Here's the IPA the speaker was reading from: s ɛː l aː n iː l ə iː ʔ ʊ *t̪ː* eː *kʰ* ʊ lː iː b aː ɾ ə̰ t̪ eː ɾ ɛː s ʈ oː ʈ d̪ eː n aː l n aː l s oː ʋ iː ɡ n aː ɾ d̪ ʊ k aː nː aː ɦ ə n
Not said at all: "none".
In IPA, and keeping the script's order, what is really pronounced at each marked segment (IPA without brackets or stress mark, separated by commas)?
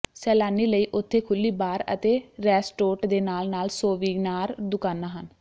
t̪ʰː, kʰ